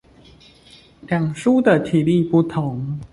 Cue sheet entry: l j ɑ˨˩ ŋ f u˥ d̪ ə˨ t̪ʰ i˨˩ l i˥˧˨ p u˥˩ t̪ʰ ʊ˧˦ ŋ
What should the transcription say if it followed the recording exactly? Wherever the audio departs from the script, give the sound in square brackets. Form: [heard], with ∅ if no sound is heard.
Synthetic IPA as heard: l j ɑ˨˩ ŋ [ʂ] u˥ d̪ ə˨ t̪ʰ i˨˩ l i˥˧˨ p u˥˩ t̪ʰ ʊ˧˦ ŋ